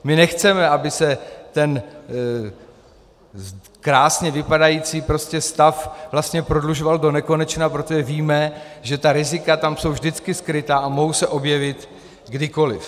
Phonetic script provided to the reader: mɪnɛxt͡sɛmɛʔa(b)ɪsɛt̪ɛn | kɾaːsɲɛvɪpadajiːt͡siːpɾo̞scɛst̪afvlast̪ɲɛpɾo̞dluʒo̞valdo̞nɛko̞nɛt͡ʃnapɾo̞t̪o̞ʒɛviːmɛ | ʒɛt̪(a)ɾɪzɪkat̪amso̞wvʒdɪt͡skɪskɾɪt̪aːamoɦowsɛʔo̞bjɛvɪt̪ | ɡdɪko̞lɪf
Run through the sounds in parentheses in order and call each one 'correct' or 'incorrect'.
correct, correct

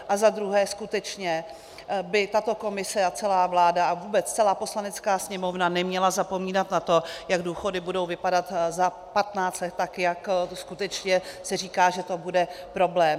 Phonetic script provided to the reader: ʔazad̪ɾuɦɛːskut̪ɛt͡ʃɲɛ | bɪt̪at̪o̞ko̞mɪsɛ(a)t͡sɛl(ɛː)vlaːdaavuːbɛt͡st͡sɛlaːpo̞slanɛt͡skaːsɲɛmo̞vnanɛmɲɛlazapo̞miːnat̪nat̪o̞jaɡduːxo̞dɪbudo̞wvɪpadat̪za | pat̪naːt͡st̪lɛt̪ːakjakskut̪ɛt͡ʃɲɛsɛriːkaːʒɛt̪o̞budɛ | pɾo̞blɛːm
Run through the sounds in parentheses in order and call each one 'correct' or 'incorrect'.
correct, incorrect

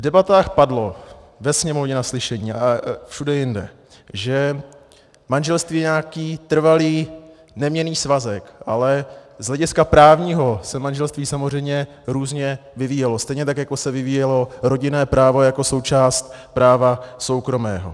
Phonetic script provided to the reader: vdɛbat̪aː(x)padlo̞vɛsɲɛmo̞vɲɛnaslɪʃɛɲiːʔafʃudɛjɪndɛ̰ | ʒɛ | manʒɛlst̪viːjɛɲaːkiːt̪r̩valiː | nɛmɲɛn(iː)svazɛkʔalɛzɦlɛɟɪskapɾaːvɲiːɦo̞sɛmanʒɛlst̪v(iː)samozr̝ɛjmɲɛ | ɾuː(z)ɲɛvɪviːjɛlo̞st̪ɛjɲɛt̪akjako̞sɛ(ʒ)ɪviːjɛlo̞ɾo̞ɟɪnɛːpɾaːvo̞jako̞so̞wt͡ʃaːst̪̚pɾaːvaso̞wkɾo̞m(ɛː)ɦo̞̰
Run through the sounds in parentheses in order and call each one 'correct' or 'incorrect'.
correct, correct, correct, correct, incorrect, correct

